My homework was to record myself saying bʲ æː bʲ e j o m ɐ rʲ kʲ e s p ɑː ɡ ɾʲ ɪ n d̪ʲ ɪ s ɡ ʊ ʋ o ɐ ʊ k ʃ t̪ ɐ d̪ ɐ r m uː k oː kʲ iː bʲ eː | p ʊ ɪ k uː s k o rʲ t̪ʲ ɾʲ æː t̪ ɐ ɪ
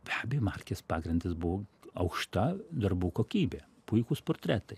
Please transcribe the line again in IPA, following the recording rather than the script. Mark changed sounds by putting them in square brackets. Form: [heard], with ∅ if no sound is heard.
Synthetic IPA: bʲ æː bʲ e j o m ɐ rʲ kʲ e s p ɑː ɡ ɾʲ ɪ n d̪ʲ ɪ s [b] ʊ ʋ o ɐ ʊ k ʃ t̪ ɐ d̪ ɐ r [b] uː k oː kʲ iː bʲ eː | p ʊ ɪ k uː s [p] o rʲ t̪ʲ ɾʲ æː t̪ ɐ ɪ